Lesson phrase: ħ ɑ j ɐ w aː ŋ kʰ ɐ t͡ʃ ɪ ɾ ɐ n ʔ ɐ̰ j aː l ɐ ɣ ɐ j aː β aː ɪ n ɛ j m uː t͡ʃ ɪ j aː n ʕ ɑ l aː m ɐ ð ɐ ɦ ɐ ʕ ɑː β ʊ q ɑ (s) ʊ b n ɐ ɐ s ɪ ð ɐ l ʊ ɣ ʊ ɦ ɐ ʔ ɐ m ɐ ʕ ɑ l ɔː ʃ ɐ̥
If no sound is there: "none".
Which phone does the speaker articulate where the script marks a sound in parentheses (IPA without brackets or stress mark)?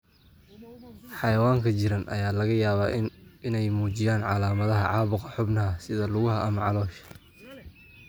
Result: ħ